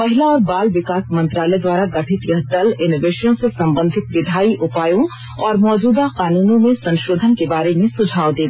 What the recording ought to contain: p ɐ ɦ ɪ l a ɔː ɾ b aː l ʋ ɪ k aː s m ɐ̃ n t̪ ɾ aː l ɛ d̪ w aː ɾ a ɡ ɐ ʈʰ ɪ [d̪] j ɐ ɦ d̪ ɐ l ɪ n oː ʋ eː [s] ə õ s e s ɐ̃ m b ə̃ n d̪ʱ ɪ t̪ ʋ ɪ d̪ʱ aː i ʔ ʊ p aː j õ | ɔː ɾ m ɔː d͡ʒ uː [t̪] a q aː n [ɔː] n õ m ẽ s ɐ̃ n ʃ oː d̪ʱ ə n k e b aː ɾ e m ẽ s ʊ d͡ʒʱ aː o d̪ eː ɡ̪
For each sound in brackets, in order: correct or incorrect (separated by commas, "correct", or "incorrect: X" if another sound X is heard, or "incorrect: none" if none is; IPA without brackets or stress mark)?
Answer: incorrect: t̪, incorrect: ʃ, incorrect: d̪, incorrect: uː